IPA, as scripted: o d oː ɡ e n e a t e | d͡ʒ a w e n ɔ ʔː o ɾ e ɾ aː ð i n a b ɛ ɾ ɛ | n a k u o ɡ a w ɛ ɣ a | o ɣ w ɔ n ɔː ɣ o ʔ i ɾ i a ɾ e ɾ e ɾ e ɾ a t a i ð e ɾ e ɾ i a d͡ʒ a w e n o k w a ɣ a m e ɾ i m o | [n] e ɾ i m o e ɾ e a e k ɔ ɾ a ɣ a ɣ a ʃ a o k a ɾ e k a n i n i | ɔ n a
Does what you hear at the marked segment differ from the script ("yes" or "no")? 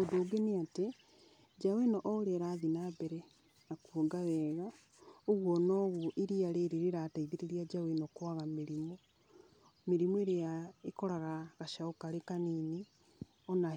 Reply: yes